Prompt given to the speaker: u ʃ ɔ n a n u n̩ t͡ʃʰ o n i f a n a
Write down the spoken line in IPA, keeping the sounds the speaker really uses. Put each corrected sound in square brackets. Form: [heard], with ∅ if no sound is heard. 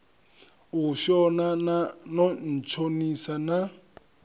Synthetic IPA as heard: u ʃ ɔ n a n [ɔ] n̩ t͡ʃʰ o n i [s] a n a

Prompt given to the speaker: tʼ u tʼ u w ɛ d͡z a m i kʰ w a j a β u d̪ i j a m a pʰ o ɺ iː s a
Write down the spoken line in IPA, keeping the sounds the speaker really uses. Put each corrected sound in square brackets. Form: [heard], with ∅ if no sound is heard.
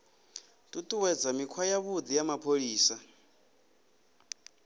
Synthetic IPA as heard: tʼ u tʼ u w ɛ d͡z a m i kʰ w a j a β u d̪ i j a m a pʰ o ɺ iː s a

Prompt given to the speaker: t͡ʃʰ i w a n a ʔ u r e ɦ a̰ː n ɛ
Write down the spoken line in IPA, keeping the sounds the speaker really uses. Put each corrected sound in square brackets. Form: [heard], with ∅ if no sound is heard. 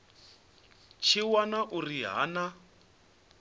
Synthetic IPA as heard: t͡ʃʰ i w a n a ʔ u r [i] ɦ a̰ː n [a]

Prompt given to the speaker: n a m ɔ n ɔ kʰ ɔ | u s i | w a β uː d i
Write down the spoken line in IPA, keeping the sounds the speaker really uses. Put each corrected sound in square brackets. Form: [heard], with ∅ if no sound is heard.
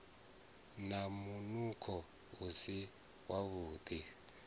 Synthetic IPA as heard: n a m [u] n [u] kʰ ɔ | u s i | w a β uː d i

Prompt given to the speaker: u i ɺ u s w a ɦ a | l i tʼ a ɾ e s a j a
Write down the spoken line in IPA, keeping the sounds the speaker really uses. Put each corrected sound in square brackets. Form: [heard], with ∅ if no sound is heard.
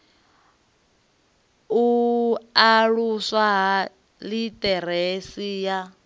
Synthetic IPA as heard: u [a] ɺ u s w a ɦ a | l i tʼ [ɛ] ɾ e s [i] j a

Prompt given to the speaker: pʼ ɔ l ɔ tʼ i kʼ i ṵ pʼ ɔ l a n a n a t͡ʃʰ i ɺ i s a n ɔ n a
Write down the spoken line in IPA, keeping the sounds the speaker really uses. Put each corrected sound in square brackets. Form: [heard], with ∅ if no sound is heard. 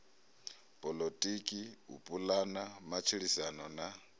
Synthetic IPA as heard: pʼ ɔ l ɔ tʼ i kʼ i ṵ pʼ [u] l a n a [m] a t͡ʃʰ i ɺ i s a n ɔ n a

